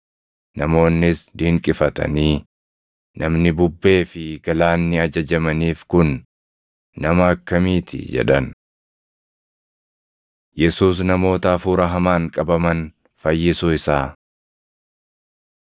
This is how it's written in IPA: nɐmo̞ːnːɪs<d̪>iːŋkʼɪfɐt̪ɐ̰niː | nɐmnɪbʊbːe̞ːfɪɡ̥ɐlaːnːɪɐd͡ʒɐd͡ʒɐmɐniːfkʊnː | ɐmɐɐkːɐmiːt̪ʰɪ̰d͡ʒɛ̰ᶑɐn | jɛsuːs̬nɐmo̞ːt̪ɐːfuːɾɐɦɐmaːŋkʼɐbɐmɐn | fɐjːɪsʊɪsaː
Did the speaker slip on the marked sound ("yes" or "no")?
no